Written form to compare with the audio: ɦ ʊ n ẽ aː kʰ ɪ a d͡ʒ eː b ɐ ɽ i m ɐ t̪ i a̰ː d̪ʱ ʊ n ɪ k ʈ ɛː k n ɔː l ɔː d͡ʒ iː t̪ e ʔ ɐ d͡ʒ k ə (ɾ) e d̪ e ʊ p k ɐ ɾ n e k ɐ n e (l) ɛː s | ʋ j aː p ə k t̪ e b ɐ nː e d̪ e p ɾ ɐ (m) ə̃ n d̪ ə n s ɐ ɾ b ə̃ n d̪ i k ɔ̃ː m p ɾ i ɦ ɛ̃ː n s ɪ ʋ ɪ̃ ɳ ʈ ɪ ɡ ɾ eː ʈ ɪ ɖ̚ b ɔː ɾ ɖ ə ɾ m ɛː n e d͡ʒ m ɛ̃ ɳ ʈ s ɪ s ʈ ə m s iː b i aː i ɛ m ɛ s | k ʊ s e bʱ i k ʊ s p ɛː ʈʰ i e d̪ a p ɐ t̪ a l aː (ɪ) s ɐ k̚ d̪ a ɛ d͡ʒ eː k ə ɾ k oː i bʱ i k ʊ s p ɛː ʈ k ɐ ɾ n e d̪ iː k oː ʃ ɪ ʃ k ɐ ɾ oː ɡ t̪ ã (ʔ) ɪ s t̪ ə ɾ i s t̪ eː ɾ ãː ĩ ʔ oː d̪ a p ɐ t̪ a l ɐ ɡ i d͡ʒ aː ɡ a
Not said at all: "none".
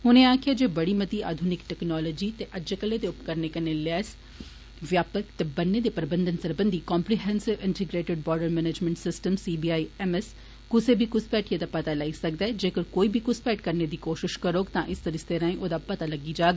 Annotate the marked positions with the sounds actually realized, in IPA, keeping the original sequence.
l, l, b, i, ʔ

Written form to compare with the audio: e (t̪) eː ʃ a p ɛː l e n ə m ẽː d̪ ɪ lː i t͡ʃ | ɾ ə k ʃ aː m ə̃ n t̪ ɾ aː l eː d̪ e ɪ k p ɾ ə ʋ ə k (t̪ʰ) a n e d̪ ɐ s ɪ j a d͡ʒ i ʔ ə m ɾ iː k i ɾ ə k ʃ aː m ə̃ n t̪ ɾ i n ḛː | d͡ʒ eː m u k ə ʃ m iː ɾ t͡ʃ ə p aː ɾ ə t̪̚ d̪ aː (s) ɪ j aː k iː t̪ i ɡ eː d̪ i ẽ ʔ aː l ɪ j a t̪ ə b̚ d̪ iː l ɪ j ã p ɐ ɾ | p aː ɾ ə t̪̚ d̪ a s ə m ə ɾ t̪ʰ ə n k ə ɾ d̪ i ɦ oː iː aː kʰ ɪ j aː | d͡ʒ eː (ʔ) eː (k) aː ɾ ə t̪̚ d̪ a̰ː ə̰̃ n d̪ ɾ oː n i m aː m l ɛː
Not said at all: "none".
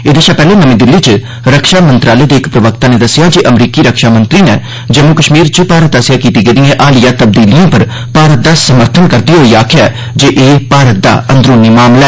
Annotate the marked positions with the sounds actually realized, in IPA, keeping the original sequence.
d̪, t̪, s, ʔ, p

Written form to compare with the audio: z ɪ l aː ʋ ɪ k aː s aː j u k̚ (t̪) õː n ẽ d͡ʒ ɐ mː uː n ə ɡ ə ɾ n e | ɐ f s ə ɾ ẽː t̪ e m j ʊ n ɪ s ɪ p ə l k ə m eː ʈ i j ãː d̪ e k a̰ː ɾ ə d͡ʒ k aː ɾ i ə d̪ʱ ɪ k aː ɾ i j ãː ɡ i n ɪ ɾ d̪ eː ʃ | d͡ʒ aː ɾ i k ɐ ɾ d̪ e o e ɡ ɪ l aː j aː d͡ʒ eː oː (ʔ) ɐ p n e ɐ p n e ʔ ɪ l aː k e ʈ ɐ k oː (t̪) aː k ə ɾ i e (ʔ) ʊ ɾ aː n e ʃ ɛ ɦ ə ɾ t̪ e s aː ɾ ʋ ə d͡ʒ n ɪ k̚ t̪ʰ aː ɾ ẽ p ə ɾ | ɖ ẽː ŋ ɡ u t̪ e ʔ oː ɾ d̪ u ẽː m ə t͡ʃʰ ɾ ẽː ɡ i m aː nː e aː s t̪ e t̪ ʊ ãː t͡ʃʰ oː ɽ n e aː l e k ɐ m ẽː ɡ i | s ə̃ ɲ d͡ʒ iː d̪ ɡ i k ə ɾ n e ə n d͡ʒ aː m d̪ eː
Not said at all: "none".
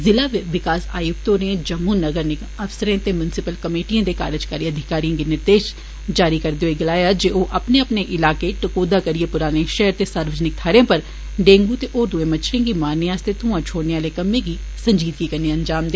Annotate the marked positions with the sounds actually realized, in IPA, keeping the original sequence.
t̪, ʔ, d̪, p

